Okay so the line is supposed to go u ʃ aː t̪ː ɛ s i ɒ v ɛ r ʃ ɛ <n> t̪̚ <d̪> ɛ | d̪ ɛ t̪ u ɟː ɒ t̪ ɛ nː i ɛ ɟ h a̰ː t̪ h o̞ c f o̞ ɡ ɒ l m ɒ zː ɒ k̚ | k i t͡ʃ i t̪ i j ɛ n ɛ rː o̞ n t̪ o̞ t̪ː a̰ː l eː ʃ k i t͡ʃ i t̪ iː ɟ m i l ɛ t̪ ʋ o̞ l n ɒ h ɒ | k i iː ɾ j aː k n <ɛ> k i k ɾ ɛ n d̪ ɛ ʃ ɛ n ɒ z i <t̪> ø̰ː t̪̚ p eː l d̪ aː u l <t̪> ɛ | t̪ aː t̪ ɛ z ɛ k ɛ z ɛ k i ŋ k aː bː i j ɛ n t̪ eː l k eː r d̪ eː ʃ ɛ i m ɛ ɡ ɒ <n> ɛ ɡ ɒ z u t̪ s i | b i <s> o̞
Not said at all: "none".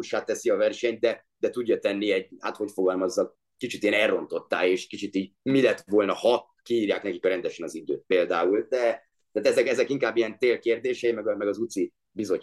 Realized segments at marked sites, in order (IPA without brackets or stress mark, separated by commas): ɲ, d̪, ɛ, d̪, d̪, m, z